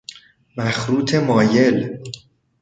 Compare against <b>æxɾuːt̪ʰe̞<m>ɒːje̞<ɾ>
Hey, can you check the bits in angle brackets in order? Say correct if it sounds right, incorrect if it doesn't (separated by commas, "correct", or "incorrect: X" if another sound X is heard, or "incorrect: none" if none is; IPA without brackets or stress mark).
incorrect: m, correct, incorrect: l